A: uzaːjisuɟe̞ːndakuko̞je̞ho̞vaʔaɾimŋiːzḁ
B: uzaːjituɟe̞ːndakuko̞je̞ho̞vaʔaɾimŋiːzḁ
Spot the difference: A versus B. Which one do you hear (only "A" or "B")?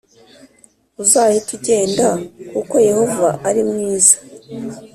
B